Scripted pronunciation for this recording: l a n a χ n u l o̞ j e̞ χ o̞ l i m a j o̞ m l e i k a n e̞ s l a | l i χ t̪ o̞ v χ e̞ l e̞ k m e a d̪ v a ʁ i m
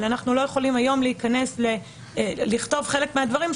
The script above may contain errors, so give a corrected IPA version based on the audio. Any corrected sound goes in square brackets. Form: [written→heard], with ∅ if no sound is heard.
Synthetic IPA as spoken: l a n a χ n u l o̞ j e̞ χ o̞ l i m a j o̞ m l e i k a n e̞ s l [a→e] | l i χ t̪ o̞ v χ e̞ l e̞ k m e a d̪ v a ʁ i m